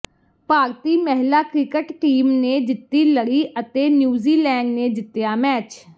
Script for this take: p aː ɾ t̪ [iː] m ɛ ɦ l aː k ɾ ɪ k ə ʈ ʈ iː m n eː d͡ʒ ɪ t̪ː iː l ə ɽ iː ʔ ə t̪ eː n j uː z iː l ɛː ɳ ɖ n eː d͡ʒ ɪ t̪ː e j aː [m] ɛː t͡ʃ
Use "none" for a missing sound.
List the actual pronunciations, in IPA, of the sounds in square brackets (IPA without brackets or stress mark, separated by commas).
iː, m